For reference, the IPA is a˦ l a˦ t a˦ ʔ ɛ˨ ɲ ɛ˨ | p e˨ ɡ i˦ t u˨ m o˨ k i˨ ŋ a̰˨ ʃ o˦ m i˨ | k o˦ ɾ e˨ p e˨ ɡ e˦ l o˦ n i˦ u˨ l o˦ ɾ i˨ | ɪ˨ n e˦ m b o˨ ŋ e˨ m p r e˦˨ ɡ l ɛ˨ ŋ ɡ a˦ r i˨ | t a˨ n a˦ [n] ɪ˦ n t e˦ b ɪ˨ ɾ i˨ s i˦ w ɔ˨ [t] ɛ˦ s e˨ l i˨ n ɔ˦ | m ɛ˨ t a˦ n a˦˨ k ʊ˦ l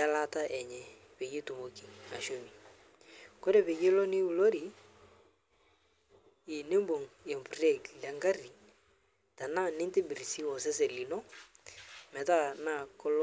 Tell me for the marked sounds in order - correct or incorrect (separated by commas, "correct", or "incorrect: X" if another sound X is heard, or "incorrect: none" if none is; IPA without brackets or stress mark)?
correct, incorrect: s